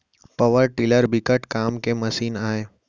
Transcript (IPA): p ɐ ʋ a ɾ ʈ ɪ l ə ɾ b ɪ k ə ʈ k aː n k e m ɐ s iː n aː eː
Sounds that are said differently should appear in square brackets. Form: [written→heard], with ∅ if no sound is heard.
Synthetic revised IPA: p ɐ ʋ [a→ə] ɾ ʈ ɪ l ə ɾ b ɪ k ə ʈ k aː [n→m] k e m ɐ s iː n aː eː